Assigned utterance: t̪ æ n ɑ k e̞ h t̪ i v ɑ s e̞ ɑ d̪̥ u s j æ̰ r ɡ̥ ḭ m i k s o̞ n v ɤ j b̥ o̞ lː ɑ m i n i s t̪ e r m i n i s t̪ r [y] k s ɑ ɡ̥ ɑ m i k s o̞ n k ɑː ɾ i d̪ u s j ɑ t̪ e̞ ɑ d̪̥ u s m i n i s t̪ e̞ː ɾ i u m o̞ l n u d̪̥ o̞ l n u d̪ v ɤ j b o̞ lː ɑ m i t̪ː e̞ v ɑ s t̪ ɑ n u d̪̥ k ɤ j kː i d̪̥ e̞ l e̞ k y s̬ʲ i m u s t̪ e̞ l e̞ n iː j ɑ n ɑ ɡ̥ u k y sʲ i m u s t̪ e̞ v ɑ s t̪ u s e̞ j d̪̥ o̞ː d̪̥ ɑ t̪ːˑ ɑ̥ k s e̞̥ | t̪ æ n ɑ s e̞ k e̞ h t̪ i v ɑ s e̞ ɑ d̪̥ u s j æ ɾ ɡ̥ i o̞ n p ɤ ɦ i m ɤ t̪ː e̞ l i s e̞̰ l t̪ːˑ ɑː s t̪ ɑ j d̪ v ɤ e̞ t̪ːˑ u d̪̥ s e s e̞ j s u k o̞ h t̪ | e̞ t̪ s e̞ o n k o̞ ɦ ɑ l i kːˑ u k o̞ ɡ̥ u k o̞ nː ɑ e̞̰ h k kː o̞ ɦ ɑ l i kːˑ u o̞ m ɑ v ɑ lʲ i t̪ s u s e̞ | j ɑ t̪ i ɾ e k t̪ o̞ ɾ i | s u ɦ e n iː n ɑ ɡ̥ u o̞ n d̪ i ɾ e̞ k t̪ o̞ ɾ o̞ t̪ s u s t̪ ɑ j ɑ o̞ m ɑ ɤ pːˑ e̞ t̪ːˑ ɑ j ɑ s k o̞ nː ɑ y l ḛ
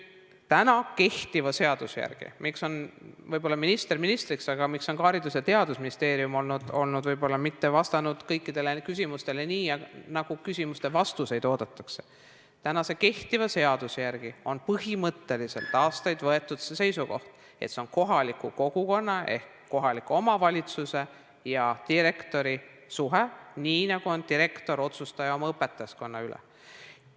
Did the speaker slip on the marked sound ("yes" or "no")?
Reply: yes